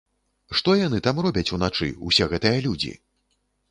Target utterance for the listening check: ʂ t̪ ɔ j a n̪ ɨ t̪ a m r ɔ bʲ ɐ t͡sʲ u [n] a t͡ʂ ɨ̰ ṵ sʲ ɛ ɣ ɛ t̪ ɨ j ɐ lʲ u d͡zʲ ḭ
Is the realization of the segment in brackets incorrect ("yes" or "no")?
no